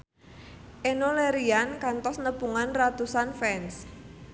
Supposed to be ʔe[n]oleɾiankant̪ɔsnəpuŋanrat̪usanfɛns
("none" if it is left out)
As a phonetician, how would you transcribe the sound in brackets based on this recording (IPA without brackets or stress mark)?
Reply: n